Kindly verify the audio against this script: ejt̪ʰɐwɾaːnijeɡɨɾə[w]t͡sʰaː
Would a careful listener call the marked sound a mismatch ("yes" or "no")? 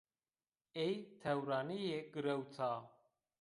no